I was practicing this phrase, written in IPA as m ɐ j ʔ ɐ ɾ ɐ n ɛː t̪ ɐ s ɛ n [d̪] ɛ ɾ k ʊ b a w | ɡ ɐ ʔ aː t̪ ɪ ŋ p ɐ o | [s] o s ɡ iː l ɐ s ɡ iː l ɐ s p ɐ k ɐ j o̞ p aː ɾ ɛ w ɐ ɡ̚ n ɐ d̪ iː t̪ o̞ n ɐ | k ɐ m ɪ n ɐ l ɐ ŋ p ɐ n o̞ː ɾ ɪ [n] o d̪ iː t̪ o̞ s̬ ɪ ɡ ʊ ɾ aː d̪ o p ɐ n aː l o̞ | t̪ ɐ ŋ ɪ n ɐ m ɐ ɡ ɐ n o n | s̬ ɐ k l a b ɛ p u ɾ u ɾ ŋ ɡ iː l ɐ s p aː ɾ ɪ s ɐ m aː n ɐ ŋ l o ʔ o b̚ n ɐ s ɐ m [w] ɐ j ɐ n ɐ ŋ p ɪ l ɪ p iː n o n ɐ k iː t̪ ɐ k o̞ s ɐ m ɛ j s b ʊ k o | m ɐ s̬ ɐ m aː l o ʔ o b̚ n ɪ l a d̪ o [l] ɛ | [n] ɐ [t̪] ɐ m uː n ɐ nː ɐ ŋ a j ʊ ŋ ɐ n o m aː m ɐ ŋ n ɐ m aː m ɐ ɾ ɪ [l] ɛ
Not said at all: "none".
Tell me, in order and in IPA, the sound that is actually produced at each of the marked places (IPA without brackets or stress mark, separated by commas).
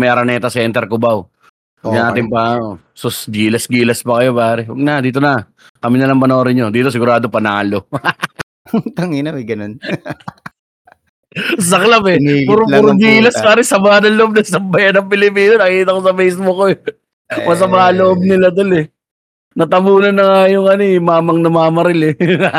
t̪, s, ɲ, b, l, n, t̪, l